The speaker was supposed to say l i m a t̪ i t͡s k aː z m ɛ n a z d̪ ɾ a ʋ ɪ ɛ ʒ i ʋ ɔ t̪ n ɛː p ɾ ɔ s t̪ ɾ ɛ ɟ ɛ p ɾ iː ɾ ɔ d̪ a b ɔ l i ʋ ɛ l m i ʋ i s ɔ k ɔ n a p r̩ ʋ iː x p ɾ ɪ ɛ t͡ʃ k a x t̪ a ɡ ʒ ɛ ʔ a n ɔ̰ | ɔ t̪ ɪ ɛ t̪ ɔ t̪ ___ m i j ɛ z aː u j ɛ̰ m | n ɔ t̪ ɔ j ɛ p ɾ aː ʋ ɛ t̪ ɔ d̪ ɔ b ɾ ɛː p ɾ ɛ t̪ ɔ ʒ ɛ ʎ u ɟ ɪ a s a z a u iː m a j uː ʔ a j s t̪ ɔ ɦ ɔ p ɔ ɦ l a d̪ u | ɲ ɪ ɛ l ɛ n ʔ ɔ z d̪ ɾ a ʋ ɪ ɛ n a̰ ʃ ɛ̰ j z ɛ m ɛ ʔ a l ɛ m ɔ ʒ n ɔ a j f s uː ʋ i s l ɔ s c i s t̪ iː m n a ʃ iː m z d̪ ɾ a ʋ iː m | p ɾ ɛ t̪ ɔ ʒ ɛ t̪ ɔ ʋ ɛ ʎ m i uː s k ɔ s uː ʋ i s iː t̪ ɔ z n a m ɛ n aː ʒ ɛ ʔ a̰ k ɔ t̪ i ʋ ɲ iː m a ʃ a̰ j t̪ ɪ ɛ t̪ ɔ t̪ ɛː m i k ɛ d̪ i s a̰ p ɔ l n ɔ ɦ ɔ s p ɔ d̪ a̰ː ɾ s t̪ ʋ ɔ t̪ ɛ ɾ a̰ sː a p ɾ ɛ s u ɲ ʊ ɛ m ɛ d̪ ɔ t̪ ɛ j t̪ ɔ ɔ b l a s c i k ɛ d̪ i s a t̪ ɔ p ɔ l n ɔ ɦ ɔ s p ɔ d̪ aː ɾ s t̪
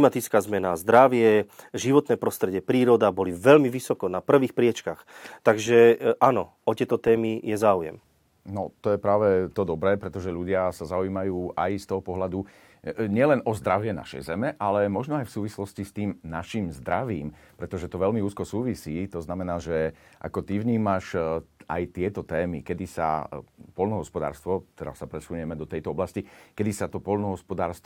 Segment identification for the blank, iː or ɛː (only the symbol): ɛː